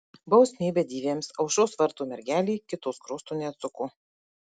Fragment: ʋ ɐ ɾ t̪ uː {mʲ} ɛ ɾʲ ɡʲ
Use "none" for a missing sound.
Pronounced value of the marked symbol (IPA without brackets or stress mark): mʲ